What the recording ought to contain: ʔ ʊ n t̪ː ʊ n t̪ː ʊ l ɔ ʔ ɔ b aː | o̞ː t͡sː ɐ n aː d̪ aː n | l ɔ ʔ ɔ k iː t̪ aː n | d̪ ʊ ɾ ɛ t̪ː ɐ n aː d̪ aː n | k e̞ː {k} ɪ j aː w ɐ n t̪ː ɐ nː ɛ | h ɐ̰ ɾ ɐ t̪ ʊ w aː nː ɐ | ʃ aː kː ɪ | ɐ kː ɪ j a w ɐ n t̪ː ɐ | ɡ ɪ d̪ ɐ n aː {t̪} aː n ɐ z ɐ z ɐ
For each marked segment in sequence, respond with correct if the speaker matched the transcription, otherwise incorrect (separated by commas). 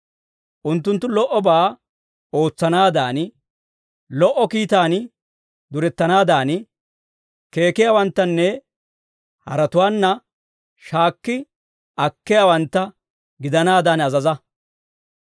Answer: correct, incorrect